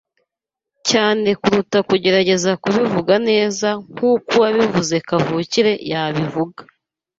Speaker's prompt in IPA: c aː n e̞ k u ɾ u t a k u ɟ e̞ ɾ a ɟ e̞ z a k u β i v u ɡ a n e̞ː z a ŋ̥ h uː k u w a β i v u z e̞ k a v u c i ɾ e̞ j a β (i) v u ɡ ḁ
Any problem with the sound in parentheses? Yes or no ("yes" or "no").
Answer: no